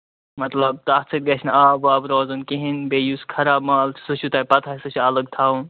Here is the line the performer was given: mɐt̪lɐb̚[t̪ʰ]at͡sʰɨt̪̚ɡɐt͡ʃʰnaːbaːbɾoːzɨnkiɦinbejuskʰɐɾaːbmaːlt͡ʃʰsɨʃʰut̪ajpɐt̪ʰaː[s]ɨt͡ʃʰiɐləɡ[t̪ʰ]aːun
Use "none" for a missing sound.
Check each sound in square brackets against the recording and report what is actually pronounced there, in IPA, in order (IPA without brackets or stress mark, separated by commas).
t̪, s, t̪ʰ